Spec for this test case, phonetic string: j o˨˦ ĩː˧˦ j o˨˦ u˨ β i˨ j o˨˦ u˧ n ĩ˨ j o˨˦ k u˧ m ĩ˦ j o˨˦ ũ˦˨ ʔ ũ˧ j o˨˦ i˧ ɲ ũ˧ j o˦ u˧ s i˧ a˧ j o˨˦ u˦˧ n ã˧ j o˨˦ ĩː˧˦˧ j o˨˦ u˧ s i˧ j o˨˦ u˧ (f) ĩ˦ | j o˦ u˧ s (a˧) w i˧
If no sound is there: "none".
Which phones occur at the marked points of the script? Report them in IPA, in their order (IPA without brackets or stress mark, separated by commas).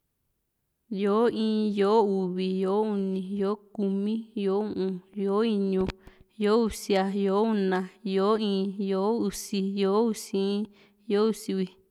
s, i˧